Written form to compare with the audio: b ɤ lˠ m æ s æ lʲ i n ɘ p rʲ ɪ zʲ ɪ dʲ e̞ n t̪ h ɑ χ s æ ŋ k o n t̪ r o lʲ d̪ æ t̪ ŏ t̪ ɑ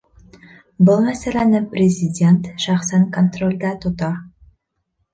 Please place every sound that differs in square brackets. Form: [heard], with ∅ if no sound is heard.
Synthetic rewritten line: b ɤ lˠ m æ s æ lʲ [æ] n ɘ p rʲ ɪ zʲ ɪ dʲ e̞ n t̪ [ʃ] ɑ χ s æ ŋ k o n t̪ r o lʲ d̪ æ t̪ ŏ t̪ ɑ